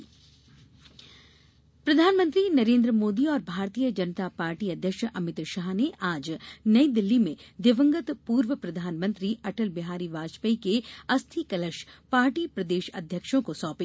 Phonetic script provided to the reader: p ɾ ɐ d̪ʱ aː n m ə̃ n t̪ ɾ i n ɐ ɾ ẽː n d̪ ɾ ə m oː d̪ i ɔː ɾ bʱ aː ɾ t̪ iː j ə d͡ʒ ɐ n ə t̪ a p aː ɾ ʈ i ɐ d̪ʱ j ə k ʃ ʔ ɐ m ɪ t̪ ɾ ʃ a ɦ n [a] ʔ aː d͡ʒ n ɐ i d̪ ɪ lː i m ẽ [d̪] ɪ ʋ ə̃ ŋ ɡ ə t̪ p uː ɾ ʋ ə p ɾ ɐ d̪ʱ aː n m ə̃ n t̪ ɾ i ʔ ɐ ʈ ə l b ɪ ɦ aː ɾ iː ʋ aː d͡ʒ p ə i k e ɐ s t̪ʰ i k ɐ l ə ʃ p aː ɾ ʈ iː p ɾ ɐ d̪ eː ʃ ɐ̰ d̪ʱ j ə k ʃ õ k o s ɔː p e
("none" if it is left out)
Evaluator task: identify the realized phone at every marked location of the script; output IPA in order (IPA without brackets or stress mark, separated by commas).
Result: e, d̪